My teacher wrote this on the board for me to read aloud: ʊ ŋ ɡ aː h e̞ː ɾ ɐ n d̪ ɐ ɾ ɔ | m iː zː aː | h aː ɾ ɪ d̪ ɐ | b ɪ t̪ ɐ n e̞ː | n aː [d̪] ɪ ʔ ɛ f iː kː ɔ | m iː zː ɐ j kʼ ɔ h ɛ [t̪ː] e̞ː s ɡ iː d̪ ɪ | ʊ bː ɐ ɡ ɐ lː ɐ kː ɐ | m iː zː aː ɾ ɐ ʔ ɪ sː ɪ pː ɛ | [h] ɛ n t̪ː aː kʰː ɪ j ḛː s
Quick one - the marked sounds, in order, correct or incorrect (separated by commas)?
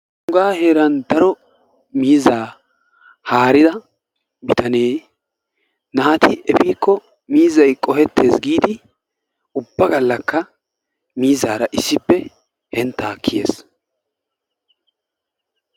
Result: incorrect, correct, correct